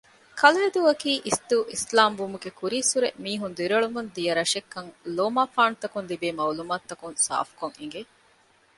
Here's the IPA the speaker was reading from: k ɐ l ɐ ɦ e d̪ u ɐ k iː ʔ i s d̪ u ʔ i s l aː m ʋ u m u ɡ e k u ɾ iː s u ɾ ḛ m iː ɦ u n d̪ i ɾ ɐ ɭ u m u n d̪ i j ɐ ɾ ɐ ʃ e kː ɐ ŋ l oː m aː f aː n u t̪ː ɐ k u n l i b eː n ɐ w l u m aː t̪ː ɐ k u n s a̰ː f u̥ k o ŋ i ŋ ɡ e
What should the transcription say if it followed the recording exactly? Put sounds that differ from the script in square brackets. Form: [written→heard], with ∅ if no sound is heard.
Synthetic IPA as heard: k ɐ l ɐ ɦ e d̪ u ɐ k iː ʔ i s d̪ u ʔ i s l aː m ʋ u m u ɡ e k u ɾ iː s u ɾ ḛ m iː ɦ u n d̪ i ɾ ɐ ɭ u m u n d̪ i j ɐ ɾ ɐ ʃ e kː ɐ ŋ l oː m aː f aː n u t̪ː ɐ k u n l i b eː [n→m] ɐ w l u m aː t̪ː ɐ k u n s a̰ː f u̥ k o ŋ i ŋ ɡ e

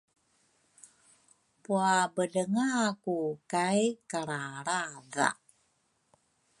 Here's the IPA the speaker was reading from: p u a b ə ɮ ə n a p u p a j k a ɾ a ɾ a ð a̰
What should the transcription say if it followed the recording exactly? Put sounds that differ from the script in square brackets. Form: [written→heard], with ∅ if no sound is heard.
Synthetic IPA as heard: p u a b ə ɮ ə [n→ŋ] a [p→k] u [p→k] a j k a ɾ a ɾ a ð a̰

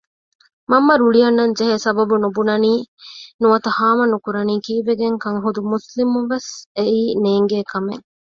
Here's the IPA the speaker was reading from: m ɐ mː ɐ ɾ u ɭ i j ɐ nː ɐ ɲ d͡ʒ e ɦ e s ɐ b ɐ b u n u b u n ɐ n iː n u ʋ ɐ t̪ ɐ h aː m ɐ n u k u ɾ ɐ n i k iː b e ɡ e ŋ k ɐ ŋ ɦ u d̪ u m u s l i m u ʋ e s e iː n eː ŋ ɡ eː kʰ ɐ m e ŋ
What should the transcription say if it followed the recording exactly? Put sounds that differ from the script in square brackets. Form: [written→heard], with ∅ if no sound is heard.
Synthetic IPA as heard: m ɐ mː ɐ ɾ u ɭ i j ɐ nː ɐ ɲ d͡ʒ e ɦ e s ɐ b ɐ b u n u b u n ɐ n iː n u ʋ ɐ t̪ ɐ h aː m ɐ n u k u ɾ ɐ n [i→iː] k iː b e ɡ e ŋ k ɐ ŋ ɦ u d̪ u m u s l i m u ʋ e s e iː n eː ŋ ɡ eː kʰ ɐ m e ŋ

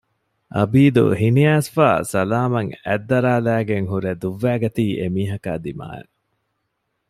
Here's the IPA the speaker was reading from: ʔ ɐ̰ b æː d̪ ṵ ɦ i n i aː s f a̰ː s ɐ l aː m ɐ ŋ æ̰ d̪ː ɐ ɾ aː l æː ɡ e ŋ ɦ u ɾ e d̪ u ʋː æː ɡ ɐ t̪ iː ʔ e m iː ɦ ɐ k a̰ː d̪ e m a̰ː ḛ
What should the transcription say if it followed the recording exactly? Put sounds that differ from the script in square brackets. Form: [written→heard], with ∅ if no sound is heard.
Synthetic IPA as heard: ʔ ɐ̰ b [æː→iː] d̪ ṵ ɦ i n i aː s f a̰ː s ɐ l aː m ɐ ŋ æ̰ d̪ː ɐ ɾ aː l æː ɡ e ŋ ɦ u ɾ e d̪ u ʋː æː ɡ ɐ t̪ iː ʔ e m iː ɦ ɐ k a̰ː d̪ [e→i] m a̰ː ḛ

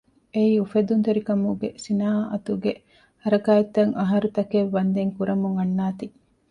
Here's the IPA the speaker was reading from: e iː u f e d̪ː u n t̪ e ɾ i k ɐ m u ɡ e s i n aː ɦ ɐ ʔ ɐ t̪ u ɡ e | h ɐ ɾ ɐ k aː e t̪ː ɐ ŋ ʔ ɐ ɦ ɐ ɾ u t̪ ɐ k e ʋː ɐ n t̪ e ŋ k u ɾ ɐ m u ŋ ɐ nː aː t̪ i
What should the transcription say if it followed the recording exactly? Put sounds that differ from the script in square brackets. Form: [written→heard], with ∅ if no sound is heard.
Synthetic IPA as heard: e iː u f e [d̪ː→d̪] u n t̪ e ɾ i k ɐ m u ɡ e s i n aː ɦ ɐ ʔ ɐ t̪ u ɡ e | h ɐ ɾ ɐ k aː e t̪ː ɐ ŋ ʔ ɐ ɦ ɐ ɾ u t̪ ɐ k e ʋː ɐ n [t̪→d̪] e ŋ k u ɾ ɐ m u ŋ ɐ nː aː t̪ i

